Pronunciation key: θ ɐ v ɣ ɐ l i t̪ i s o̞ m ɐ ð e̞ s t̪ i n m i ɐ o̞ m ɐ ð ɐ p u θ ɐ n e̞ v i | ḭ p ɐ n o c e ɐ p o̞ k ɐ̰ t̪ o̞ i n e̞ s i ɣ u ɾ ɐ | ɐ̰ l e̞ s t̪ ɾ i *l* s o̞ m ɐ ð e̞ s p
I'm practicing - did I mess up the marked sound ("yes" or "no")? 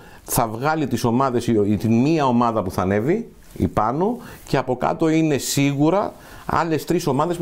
yes